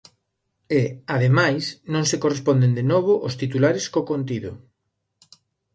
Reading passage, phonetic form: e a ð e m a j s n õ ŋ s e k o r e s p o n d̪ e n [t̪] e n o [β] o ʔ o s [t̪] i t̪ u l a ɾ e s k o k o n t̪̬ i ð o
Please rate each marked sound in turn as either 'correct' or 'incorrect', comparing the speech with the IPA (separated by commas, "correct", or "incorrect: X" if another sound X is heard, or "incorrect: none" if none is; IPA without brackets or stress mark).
incorrect: d̪, correct, correct